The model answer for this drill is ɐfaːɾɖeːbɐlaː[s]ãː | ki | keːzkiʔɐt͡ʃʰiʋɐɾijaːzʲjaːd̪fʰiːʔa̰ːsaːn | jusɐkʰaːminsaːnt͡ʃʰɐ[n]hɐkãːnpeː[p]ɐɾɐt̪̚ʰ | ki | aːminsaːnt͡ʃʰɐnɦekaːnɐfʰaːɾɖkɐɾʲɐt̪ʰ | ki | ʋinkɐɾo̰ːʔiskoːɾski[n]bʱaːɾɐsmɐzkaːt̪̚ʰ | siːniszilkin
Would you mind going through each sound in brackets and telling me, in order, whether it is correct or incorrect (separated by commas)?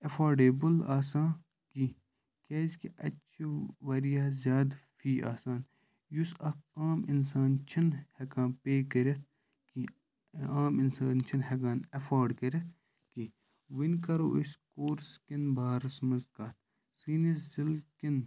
correct, correct, incorrect, correct